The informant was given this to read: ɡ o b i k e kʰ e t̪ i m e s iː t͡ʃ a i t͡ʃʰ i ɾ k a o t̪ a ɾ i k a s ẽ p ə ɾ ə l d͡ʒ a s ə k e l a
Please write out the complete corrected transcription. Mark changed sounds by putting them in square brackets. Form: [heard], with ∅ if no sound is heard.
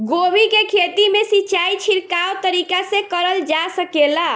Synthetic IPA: ɡ o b i k e kʰ e t̪ i m e s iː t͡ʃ a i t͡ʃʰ i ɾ k a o t̪ [ə] ɾ i k a s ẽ [k] ə ɾ ə l d͡ʒ a s ə k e l a